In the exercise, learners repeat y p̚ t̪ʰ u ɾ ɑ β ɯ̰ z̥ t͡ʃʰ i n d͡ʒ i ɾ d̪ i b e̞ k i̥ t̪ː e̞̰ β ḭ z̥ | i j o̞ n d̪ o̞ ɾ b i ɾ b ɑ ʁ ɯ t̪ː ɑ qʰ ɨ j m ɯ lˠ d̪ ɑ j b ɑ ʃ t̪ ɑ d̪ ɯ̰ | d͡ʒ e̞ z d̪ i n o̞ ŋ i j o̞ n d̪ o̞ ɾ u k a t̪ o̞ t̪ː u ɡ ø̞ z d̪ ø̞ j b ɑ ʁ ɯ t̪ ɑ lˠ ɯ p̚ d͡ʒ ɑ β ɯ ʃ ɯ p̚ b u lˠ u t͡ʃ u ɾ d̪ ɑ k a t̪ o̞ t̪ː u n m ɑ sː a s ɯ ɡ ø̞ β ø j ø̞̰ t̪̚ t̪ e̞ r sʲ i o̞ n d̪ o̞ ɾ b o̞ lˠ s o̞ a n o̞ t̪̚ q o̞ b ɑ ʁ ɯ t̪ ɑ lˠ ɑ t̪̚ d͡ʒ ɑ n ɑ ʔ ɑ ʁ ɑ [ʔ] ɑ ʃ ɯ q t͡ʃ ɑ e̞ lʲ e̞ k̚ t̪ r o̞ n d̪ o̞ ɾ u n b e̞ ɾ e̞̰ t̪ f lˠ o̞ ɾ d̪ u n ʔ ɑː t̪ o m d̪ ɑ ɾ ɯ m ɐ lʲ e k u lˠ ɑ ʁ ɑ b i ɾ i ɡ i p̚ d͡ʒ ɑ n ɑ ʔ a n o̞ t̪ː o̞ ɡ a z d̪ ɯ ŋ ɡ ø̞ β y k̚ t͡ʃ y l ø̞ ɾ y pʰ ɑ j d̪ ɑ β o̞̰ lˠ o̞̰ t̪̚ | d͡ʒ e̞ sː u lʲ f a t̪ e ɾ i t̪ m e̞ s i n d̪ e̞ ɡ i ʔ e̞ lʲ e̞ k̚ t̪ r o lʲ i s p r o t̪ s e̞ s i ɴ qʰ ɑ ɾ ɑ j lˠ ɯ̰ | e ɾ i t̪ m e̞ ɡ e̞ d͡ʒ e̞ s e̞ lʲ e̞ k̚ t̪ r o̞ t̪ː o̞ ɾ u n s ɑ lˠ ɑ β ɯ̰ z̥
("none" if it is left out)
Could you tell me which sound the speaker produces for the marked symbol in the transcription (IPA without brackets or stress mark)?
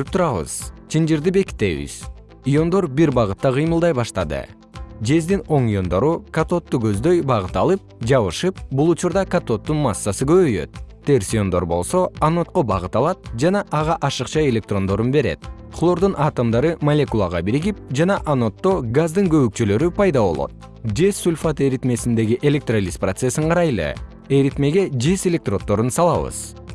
ʔ